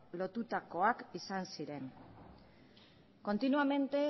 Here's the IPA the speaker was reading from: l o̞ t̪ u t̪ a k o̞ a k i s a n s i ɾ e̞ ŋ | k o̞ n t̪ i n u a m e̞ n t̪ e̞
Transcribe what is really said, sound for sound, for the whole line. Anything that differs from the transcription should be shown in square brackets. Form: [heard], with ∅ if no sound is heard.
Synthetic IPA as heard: l o̞ t̪ u t̪ a k o̞ a k i s a n s i ɾ e̞ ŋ | k o̞ n t̪ i n u a m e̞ n t̪ e̞